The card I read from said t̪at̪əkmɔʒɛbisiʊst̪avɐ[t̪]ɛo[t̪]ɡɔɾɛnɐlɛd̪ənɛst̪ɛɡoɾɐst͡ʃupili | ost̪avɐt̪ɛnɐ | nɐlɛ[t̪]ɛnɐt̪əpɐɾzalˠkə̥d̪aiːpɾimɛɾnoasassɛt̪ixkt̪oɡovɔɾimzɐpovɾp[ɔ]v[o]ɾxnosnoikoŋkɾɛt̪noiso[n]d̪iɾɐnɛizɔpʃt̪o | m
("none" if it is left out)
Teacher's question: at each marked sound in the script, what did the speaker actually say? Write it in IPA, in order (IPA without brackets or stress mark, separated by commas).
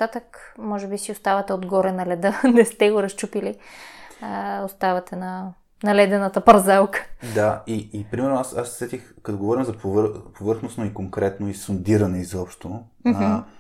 t̪, d̪, d̪, o, ɤ, n